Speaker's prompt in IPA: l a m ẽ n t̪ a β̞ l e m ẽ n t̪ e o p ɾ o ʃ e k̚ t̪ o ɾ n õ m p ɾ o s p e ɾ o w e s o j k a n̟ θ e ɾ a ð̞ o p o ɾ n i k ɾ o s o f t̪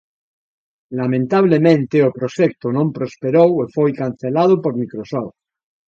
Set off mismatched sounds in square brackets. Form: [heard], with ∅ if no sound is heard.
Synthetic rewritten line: l a m ẽ n t̪ a β̞ l e m ẽ n t̪ e o p ɾ o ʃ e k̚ t̪ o [∅] n õ m p ɾ o s p e ɾ o w e [f] o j k a n̟ θ e [l] a ð̞ o p o ɾ [m] i k ɾ o s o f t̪